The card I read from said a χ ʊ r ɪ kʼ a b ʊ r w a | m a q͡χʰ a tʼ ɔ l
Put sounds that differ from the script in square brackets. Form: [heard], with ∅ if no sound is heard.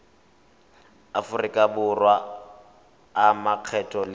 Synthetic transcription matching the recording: a [f] ʊ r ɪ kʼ a b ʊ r w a | m a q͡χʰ [ɛ] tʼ ɔ l